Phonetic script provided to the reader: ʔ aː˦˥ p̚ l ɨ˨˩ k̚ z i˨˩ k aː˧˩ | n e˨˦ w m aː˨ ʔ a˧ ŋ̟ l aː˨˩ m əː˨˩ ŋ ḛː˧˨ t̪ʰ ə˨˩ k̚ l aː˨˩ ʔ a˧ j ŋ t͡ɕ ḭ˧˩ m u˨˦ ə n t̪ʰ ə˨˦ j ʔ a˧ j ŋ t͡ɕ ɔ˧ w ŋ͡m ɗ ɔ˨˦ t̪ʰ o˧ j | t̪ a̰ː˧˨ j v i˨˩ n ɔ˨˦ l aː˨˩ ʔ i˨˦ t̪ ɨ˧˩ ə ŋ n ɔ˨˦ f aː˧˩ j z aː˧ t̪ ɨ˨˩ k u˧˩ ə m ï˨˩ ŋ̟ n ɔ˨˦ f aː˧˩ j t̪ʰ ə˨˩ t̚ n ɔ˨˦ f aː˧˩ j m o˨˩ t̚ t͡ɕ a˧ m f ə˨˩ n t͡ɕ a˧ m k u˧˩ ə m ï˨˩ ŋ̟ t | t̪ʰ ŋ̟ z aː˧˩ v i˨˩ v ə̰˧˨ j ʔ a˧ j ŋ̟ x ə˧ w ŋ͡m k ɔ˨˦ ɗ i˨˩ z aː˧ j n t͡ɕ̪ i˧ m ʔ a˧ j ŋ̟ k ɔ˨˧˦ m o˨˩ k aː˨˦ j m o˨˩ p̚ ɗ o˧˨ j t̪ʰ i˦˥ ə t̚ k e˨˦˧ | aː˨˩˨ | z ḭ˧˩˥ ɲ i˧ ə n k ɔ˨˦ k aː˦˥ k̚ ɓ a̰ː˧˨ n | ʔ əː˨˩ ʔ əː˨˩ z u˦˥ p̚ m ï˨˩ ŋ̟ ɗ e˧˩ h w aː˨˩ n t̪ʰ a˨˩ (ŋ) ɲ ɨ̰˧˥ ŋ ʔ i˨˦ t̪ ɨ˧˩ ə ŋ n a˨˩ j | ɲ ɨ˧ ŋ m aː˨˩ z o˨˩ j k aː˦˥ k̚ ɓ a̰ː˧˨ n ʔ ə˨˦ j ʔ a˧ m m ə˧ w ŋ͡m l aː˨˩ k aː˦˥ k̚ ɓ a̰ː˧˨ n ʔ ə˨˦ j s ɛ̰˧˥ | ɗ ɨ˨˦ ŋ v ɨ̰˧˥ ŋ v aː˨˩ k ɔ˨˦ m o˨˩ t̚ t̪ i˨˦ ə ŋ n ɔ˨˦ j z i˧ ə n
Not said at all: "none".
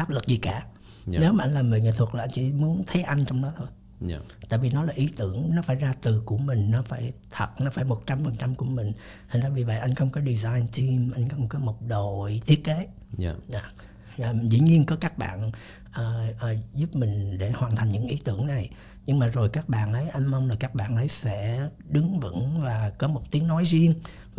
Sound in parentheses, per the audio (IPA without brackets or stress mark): ŋ